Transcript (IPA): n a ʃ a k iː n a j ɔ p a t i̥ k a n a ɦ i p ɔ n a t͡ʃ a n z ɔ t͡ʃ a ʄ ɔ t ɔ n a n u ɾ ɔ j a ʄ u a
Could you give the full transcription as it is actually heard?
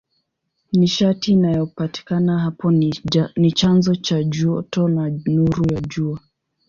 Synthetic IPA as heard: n i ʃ a t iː n a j ɔ p a t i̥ k a n a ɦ a p ɔ n i t͡ʃ a n z ɔ t͡ʃ a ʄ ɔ t ɔ n a n u ɾ u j a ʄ u a